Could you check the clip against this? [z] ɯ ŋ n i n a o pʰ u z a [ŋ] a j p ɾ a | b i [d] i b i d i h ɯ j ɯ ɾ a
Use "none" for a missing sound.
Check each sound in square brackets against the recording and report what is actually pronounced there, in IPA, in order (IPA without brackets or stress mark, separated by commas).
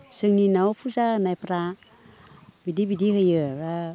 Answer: s, n, d